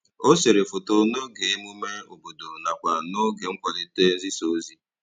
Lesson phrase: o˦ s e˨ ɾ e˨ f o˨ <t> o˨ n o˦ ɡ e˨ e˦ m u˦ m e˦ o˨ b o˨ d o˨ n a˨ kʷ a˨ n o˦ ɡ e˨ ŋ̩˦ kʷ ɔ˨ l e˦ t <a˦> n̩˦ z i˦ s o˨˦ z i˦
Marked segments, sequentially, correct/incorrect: correct, incorrect

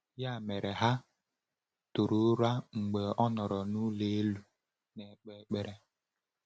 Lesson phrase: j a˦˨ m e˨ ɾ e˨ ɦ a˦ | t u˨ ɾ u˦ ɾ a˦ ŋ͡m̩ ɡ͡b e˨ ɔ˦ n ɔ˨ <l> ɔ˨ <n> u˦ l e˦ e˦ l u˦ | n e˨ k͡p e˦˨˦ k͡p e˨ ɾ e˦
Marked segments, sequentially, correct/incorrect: incorrect, correct

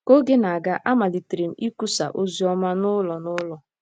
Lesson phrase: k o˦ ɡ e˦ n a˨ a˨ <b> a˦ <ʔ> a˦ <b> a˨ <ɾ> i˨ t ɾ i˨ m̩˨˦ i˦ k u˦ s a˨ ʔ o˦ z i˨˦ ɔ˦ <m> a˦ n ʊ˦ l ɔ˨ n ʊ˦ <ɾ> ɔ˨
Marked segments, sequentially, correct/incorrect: incorrect, correct, incorrect, incorrect, correct, incorrect

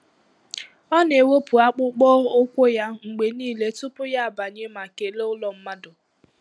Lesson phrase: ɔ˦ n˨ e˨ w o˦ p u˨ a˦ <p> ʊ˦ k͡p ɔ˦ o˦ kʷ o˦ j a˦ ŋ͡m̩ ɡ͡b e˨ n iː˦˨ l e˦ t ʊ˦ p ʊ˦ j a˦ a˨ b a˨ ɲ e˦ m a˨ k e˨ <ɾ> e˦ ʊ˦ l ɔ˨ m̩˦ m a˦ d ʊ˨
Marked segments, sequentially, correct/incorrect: incorrect, incorrect

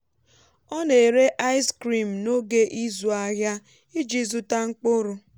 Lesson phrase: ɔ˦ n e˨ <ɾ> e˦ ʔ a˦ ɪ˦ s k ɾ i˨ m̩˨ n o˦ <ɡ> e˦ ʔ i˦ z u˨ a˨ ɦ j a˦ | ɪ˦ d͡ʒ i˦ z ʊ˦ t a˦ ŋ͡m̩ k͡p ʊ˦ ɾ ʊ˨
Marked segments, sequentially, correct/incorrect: correct, correct

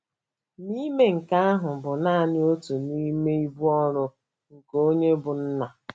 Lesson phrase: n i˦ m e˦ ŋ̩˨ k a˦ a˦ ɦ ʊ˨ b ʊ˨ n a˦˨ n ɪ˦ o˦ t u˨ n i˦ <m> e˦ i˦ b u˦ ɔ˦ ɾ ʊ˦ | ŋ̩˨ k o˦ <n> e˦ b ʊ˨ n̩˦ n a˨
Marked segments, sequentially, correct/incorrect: correct, incorrect

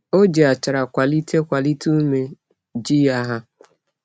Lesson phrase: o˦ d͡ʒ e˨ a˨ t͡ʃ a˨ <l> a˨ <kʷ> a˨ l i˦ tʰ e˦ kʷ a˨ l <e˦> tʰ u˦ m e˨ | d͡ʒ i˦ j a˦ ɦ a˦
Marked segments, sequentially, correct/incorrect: incorrect, correct, incorrect

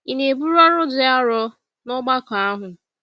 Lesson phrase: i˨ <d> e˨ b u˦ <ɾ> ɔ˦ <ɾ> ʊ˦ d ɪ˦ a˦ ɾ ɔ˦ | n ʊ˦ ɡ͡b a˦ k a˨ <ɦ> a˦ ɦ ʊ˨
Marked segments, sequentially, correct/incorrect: incorrect, correct, correct, incorrect

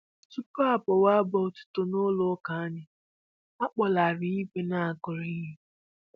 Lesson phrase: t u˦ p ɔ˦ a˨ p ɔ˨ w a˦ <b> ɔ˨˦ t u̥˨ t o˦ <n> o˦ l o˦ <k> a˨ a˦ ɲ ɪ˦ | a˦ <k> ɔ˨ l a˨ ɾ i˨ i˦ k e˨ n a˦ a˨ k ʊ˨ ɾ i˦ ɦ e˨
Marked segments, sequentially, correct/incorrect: correct, correct, correct, incorrect

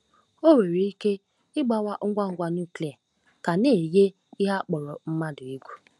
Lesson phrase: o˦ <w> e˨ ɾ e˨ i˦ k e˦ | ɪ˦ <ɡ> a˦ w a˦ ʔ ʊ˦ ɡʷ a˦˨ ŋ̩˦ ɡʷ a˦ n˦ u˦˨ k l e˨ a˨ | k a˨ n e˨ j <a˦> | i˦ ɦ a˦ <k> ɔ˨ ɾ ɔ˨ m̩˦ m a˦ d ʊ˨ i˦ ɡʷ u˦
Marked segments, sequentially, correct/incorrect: correct, incorrect, incorrect, incorrect

